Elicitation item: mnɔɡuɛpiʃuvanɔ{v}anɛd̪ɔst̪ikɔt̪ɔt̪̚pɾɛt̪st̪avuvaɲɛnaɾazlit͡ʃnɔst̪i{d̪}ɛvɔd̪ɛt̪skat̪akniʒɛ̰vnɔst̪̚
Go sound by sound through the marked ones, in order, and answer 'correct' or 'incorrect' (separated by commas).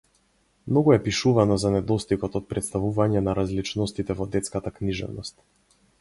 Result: incorrect, incorrect